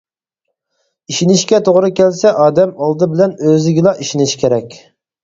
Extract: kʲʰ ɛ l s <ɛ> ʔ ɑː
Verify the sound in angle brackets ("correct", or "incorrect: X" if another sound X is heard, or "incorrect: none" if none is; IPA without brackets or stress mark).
correct